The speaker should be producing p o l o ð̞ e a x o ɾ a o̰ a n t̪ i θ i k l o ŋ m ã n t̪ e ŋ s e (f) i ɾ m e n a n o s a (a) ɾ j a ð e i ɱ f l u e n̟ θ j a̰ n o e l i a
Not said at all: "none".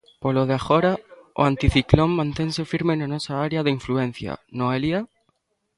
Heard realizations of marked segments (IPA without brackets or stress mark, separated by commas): f, a